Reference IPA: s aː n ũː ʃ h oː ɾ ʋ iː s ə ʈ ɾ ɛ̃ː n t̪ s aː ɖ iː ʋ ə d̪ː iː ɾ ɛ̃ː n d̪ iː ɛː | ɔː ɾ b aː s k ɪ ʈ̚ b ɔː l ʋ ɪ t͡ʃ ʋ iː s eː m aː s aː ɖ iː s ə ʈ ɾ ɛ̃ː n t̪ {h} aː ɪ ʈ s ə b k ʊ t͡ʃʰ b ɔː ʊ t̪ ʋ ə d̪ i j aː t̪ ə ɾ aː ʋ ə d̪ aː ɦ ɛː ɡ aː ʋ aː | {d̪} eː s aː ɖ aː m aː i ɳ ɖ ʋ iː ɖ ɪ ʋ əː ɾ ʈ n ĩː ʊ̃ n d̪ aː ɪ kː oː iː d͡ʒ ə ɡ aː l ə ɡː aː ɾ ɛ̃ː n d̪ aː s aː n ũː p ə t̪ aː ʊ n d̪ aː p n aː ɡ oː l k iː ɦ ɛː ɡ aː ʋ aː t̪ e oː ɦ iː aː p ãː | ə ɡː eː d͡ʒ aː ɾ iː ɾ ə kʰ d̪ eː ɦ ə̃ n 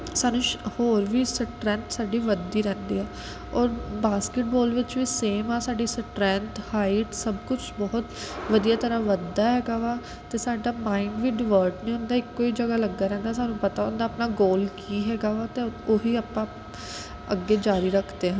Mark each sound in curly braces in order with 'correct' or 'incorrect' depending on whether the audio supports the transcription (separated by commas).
correct, incorrect